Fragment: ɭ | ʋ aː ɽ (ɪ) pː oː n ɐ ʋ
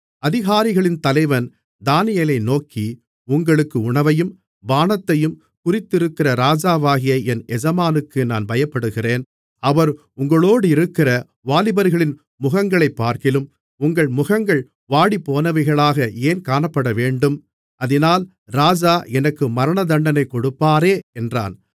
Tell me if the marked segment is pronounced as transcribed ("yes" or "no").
no